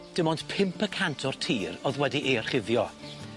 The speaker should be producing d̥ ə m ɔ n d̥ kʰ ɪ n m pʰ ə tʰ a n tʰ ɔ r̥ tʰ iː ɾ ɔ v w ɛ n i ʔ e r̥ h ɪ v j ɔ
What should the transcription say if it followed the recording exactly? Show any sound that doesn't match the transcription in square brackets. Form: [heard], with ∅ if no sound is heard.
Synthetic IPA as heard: d̥ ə m ɔ n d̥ [pʰ] ɪ [∅] m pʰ ə [kʰ] a n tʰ ɔ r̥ tʰ iː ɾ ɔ [ð] w ɛ [d] i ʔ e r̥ [χ] ɪ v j ɔ